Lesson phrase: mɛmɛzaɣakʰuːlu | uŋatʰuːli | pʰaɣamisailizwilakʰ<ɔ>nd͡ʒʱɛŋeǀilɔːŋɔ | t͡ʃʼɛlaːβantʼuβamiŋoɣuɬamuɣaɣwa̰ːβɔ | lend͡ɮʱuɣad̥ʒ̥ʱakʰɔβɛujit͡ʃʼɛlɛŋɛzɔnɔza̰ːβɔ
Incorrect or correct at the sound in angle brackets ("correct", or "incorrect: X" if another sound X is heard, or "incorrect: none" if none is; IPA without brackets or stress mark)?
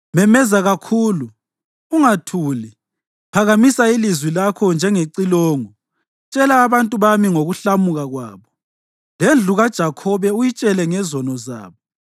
correct